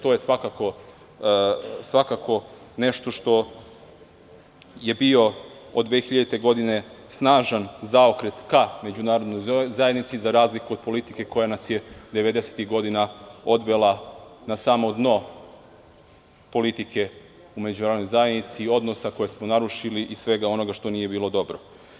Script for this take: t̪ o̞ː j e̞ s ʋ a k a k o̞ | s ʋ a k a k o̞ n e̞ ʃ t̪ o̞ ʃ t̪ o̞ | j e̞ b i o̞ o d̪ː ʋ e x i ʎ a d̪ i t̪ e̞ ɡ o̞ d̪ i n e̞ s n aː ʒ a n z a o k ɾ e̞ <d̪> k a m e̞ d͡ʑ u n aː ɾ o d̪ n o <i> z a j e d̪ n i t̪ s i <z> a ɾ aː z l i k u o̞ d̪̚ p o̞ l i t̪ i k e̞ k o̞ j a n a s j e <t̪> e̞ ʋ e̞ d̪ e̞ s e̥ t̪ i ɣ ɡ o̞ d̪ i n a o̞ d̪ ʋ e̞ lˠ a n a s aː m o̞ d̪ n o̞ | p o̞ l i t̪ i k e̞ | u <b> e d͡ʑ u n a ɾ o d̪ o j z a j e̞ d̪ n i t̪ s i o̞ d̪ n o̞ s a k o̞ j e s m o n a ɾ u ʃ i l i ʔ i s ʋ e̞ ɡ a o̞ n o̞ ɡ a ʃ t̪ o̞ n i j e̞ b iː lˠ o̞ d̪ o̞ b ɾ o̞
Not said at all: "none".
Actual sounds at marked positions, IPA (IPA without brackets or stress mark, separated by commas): t̪, j, z, d̪, m